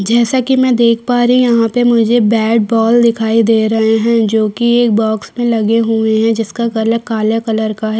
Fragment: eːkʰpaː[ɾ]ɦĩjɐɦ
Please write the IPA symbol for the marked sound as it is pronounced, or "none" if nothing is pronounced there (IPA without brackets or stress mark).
ɾ